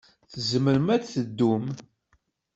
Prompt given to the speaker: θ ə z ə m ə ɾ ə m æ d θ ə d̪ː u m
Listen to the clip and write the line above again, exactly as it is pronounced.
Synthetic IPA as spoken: θ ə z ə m ə ɾ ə m æ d θ ə d̪ː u m